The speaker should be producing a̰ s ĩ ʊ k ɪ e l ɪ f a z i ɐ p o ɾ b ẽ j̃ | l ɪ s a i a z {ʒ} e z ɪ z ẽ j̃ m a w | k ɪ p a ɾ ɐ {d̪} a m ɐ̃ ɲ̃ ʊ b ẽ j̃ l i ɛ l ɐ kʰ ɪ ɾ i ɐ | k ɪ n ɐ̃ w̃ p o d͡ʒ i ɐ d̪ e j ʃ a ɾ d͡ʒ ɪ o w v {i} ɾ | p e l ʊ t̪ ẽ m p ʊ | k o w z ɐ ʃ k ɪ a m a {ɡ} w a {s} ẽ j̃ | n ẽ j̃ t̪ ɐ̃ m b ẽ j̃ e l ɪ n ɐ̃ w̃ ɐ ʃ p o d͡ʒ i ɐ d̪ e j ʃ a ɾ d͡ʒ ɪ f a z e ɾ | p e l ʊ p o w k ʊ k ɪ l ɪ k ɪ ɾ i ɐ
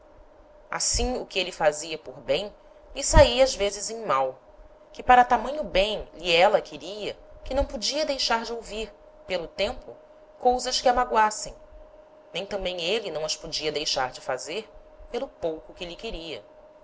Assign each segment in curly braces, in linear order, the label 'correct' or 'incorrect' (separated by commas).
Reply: incorrect, incorrect, correct, correct, correct